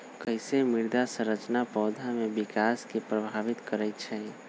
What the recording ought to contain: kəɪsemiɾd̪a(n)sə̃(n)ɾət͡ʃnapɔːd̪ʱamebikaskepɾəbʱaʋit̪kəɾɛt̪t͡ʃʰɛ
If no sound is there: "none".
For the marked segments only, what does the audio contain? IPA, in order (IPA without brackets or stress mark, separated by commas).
none, none